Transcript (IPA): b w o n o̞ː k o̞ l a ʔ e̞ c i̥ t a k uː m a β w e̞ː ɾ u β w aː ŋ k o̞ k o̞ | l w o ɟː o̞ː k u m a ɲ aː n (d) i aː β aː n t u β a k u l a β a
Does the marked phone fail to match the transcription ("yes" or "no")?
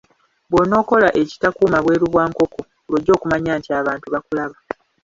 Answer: yes